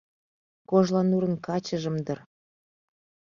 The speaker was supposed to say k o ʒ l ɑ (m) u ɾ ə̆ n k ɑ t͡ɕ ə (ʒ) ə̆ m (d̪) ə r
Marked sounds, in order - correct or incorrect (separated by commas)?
incorrect, correct, correct